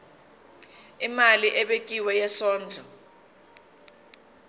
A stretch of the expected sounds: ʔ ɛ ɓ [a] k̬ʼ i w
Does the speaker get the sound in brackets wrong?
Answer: yes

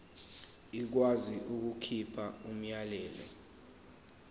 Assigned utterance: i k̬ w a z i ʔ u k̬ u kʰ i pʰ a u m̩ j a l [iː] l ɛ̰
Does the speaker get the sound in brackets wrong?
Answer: yes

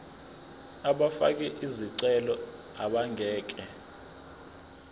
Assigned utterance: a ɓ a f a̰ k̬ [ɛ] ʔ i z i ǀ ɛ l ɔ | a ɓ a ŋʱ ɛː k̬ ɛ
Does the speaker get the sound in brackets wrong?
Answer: no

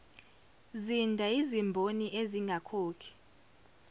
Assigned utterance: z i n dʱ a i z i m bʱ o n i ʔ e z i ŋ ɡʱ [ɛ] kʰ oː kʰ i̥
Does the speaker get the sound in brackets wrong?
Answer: yes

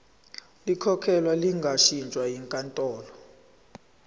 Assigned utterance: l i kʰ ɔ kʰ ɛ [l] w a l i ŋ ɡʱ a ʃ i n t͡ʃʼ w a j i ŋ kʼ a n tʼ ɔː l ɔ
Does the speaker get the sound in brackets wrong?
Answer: no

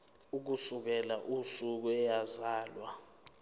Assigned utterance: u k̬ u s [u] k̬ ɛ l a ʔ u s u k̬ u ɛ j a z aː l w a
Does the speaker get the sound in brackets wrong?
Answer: no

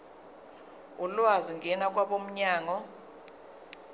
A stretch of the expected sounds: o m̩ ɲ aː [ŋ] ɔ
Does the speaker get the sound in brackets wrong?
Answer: no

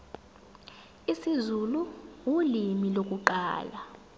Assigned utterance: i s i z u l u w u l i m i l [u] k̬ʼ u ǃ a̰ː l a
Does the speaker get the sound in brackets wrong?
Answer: yes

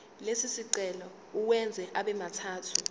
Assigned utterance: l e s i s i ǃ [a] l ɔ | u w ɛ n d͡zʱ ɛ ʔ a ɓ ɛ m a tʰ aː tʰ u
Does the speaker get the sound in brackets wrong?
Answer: yes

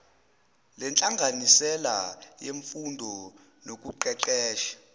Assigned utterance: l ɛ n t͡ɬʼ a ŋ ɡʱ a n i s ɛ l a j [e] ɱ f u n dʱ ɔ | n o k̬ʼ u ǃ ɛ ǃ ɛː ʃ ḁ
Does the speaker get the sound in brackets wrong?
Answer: no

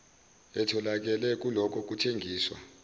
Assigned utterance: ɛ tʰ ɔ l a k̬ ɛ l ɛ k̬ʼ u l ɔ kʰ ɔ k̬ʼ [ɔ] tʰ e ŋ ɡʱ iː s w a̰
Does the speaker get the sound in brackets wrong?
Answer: yes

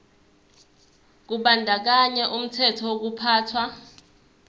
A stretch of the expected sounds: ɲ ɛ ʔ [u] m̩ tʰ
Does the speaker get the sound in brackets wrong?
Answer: no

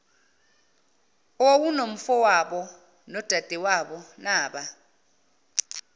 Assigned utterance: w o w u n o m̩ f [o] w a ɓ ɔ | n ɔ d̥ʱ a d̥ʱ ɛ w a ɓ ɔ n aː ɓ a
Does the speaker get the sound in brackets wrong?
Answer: yes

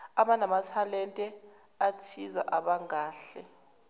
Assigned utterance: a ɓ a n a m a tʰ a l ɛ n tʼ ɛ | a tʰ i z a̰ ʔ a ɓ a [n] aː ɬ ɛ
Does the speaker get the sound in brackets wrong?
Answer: yes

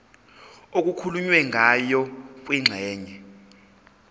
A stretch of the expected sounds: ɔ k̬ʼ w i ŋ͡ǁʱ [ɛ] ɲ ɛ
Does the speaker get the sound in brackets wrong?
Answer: yes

